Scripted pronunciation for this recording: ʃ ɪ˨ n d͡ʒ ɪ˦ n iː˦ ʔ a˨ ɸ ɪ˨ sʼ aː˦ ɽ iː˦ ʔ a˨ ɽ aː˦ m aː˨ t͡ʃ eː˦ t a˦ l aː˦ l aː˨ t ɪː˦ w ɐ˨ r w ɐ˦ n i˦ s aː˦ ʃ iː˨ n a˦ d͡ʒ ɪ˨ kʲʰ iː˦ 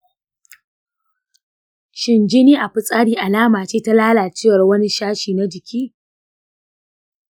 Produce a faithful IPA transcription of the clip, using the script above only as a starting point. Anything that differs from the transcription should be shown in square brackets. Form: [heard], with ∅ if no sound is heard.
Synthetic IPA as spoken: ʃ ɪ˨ n d͡ʒ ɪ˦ n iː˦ ʔ a˨ ɸ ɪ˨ sʼ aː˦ ɽ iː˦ ʔ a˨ [l] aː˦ m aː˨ t͡ʃ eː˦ t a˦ l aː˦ l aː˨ [t͡ʃ] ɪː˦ w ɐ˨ r w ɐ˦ n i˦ [ʃ] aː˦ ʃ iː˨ n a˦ d͡ʒ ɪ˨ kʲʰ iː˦